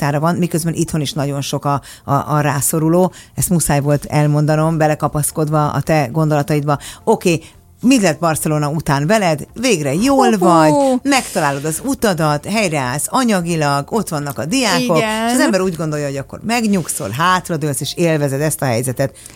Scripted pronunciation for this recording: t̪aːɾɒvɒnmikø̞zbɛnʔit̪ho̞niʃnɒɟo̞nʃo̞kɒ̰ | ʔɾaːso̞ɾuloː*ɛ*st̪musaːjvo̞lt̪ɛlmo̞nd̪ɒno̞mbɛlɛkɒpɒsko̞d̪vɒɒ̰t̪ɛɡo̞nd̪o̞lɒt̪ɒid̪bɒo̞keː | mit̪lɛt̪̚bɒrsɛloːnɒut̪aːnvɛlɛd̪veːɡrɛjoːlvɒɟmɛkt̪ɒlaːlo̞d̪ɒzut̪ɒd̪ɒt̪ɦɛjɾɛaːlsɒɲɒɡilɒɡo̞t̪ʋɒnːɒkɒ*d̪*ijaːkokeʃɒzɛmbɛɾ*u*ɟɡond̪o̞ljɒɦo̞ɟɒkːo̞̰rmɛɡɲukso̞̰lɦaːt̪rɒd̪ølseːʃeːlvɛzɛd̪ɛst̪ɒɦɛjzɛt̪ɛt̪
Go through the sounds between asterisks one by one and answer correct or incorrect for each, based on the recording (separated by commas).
correct, correct, incorrect